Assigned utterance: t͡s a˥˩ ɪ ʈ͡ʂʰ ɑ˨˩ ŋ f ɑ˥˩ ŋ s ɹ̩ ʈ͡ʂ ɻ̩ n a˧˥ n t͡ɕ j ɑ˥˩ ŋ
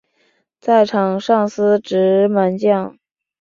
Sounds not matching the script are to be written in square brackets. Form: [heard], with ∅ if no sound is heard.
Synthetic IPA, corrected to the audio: t͡s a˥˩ ɪ ʈ͡ʂʰ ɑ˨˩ ŋ [ʂ] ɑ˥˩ ŋ s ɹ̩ ʈ͡ʂ ɻ̩ [m] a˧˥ n t͡ɕ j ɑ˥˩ ŋ